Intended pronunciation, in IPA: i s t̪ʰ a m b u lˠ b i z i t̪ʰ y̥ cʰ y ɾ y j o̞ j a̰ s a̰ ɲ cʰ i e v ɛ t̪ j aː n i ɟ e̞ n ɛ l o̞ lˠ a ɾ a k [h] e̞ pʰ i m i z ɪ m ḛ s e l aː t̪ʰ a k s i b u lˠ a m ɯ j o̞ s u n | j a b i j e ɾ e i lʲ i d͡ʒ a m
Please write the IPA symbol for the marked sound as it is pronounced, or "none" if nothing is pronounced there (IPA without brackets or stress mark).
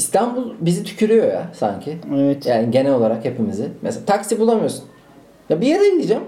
h